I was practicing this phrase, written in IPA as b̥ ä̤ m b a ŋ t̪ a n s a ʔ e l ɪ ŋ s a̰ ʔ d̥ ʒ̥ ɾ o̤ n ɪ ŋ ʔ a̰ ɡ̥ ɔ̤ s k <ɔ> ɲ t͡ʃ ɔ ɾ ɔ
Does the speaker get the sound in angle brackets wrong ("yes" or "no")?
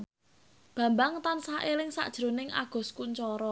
yes